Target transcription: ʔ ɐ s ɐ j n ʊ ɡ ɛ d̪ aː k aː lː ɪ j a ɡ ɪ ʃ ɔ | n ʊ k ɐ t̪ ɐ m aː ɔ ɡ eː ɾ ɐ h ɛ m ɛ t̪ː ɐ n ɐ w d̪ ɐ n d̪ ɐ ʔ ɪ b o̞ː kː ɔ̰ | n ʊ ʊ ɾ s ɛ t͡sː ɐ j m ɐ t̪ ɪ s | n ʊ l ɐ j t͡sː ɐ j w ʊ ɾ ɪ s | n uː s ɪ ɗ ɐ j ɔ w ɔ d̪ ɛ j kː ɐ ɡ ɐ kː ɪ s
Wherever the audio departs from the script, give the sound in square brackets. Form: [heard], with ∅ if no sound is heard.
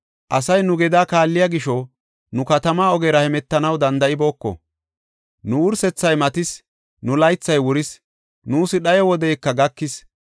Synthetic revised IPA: ʔ ɐ s ɐ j n ʊ ɡ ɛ d̪ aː k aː lː ɪ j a ɡ ɪ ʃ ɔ | n ʊ k ɐ t̪ ɐ m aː ɔ ɡ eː ɾ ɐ h ɛ m ɛ t̪ː ɐ n ɐ w d̪ ɐ n d̪ ɐ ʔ ɪ b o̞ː kː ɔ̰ | n ʊ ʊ ɾ s ɛ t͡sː ɐ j m ɐ t̪ ɪ s | n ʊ l ɐ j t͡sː ɐ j w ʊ ɾ ɪ s | n uː s ɪ ɗ ɐ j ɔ w ɔ d̪ ɛ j kː ɐ ɡ ɐ kː ɪ s